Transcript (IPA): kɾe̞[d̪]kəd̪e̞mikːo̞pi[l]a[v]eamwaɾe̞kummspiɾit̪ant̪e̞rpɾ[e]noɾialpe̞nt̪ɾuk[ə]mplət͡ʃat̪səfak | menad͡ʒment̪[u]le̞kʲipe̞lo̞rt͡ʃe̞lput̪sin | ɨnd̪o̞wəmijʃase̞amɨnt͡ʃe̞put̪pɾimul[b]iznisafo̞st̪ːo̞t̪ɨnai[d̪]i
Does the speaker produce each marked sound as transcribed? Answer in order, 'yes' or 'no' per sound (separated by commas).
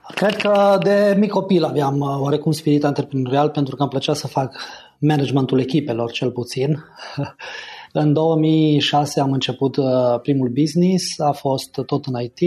yes, yes, yes, yes, no, yes, yes, no